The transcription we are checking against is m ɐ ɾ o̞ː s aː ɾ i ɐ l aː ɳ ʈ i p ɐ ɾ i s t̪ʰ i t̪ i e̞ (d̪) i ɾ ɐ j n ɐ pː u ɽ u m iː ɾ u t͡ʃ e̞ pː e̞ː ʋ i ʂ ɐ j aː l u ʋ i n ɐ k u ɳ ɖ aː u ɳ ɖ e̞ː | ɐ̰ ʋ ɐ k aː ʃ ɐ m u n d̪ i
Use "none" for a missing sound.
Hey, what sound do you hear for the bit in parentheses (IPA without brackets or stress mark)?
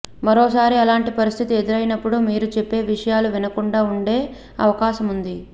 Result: d̪